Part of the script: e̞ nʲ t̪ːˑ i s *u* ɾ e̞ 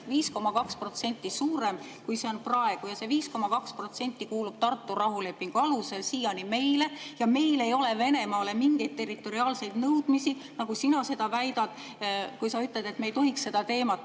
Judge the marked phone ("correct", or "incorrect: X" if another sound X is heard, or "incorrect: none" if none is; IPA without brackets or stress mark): incorrect: uː